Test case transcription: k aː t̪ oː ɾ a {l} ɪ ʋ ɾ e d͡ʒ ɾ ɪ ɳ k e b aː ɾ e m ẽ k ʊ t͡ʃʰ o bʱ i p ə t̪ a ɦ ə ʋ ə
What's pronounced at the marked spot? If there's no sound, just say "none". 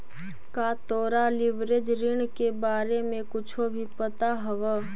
l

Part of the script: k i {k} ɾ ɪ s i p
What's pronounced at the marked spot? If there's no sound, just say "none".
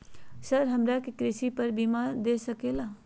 k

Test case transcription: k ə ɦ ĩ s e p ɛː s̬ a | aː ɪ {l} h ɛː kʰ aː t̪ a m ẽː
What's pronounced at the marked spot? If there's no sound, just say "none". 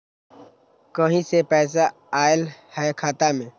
l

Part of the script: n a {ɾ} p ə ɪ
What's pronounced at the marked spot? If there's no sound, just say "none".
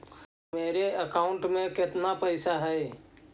none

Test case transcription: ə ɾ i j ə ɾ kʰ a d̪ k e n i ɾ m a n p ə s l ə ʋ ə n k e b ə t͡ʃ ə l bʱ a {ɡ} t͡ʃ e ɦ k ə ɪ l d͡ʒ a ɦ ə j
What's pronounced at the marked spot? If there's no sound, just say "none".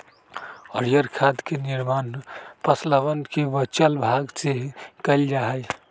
ɡ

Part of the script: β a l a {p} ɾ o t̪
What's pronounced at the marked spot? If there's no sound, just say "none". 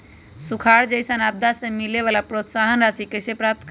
p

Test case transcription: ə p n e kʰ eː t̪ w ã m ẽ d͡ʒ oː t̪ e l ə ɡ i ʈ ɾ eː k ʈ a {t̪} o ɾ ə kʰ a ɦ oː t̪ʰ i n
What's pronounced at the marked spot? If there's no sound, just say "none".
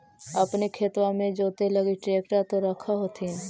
t̪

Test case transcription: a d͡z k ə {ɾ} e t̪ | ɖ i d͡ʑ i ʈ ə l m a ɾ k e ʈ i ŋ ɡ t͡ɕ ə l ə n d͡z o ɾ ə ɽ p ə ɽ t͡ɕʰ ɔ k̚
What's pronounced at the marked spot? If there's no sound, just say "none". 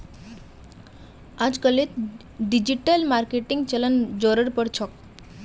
l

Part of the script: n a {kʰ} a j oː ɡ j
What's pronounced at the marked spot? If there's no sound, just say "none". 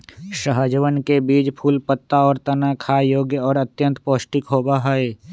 kʰ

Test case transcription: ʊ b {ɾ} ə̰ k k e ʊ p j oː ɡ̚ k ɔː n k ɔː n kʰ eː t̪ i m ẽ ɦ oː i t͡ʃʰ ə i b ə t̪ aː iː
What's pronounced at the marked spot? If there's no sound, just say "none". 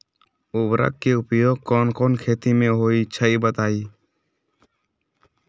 ɾ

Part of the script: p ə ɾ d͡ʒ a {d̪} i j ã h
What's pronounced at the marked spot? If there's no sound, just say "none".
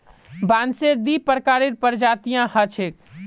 t̪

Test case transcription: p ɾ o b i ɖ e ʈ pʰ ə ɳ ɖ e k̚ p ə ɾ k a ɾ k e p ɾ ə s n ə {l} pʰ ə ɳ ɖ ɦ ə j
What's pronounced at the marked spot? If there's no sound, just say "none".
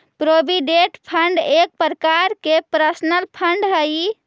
l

